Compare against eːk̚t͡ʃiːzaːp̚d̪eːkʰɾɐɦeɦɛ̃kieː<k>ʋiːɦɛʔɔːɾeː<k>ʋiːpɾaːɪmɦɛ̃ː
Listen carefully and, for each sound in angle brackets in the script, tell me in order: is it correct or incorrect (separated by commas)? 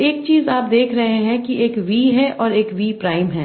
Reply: correct, correct